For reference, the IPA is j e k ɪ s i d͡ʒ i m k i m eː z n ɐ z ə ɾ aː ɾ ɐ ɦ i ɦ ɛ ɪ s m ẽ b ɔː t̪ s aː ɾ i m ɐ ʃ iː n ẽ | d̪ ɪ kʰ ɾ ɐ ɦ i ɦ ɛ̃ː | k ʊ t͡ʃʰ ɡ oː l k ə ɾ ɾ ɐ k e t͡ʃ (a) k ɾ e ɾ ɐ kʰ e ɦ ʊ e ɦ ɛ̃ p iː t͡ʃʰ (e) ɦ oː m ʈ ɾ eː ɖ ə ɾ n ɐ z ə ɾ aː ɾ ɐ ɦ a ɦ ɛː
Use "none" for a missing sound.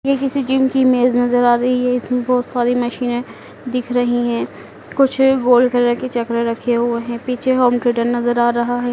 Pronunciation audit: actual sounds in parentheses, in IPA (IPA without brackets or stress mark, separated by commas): ɐ, e